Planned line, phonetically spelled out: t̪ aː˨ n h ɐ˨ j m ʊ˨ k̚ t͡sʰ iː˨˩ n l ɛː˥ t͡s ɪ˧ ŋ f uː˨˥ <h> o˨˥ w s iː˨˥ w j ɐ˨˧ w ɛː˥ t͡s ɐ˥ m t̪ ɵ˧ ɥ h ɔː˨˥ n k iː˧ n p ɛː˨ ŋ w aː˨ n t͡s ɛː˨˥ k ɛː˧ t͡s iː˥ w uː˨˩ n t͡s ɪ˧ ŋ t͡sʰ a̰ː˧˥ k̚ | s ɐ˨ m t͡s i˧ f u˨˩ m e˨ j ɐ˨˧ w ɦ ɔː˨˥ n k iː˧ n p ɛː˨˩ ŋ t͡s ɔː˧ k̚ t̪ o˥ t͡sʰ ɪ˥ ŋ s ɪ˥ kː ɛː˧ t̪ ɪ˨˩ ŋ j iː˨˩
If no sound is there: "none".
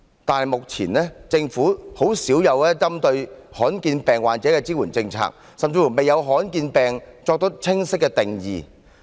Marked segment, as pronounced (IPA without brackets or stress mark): h